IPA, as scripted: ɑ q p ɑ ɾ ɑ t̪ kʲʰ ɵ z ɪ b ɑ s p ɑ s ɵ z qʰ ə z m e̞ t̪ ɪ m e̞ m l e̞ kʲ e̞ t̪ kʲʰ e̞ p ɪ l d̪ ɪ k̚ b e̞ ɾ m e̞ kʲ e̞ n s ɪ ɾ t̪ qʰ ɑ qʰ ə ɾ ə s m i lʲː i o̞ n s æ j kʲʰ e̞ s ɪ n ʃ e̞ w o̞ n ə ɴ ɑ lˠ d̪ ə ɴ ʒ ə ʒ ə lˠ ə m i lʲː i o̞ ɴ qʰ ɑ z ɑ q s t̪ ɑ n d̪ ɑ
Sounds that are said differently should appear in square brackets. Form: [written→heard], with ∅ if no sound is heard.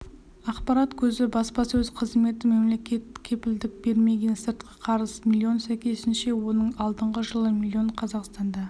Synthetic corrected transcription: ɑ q p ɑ ɾ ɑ t̪ kʲʰ ɵ z ɪ b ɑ s p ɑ s ɵ z qʰ ə z m e̞ t̪ ɪ m e̞ m l e̞ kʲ e̞ t̪ kʲʰ e̞ p ɪ l d̪ ɪ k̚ b e̞ ɾ m e̞ [kʲ→ɡʲ] e̞ n s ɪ ɾ t̪ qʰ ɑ qʰ [ə→ɑ] ɾ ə s m i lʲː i o̞ n s æ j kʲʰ e̞ s ɪ n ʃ e̞ w o̞ n ə ɴ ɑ lˠ d̪ ə ɴ [ʒ→ʁ] ə ʒ ə lˠ ə m i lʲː i o̞ ɴ qʰ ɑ z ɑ q s t̪ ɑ n d̪ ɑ